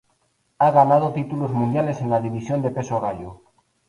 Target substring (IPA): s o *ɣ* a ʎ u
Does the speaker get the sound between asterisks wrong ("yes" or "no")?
no